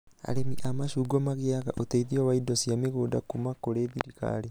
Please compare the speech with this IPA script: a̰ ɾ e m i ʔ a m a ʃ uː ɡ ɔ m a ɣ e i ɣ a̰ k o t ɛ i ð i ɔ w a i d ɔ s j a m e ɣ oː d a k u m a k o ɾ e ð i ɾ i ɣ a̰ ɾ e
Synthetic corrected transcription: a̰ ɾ e m i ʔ a m a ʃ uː ɡ ɔ m a ɣ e a ɣ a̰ ʔ o t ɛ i ð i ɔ w a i d ɔ s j a m e ɣ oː d a k u m a k o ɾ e ð i ɾ i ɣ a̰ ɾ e